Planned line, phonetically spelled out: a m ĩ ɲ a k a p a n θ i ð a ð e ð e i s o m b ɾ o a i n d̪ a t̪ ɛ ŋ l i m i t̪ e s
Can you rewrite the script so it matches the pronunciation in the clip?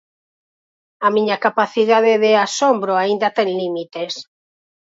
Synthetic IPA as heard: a m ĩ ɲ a k a p a θ i ð a ð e ð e a s o m b ɾ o a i n d̪ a t̪ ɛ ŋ l i m i t̪ e s